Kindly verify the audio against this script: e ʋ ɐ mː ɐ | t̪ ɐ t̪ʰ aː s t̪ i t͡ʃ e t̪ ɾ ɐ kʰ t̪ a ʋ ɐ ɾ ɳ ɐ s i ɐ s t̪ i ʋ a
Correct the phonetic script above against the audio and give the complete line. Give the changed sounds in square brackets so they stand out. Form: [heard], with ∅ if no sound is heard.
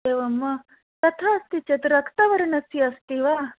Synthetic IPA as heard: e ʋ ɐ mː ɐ | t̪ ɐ t̪ʰ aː s t̪ i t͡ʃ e t̪ ɾ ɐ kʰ t̪ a ʋ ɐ ɾ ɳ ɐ s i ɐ s t̪ i ʋ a